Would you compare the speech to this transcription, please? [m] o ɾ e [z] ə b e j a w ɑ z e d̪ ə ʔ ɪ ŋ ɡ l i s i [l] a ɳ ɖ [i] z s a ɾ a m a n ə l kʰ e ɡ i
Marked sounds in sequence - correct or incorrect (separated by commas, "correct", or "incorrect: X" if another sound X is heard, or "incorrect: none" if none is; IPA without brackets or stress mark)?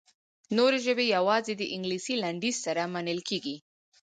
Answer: incorrect: n, incorrect: ʒ, correct, correct